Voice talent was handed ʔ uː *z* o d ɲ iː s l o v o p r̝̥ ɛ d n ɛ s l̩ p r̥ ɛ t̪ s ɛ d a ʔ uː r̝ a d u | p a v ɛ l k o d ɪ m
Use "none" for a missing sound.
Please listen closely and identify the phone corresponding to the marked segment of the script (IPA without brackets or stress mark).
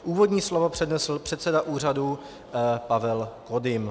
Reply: v